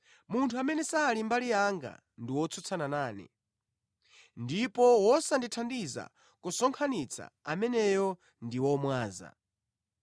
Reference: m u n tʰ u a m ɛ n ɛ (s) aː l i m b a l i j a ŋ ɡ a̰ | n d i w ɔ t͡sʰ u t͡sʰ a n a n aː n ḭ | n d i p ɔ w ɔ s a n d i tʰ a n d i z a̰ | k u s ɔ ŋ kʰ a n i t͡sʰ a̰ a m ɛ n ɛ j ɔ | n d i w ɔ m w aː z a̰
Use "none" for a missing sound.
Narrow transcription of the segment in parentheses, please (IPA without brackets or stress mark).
s